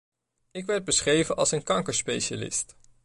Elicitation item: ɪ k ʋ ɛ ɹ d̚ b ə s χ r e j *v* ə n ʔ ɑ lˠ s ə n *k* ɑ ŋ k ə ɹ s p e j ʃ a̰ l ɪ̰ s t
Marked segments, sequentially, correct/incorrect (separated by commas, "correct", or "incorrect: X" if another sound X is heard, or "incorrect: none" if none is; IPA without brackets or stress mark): correct, correct